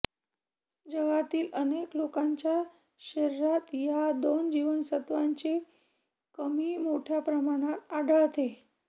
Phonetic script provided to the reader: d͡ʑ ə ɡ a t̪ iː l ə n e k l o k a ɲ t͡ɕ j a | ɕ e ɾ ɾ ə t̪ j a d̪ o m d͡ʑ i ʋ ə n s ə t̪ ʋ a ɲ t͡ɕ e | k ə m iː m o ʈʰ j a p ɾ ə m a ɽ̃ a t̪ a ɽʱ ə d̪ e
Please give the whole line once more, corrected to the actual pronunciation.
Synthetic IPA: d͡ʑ ə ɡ a t̪ iː l ə n e k l o k a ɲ t͡ɕ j a | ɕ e ɾ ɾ a t̪ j a d̪ o n d͡ʑ i ʋ ə n s ə t̪ ʋ a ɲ t͡ɕ e | k ə m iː m o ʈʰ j a p ɾ ə m a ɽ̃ a t̪ a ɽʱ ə t̪ e